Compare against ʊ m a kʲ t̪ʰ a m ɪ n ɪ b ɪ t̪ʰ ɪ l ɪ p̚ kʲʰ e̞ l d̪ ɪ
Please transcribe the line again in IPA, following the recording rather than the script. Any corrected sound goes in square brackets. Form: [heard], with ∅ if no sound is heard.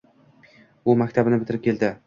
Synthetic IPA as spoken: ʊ m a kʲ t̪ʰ a [b] ɪ n ɪ b ɪ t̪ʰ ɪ [ɾ] ɪ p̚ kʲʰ e̞ l d̪ ɪ